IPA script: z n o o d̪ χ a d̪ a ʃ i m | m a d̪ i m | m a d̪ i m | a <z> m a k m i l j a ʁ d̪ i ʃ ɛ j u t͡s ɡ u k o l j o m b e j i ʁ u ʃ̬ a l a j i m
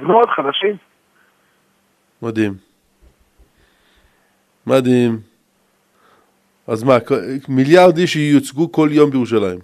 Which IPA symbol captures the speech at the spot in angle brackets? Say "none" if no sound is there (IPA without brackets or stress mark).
z